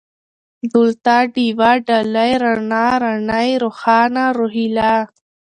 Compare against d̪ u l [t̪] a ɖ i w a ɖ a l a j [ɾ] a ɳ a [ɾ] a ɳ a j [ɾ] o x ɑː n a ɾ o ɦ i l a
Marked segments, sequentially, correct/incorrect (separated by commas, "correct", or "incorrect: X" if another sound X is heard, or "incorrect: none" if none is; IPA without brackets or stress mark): correct, correct, correct, correct